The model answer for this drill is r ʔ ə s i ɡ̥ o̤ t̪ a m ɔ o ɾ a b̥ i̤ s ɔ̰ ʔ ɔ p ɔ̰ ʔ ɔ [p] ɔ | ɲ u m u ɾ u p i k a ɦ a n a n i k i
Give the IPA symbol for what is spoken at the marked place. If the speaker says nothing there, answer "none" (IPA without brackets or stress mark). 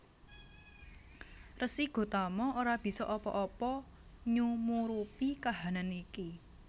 p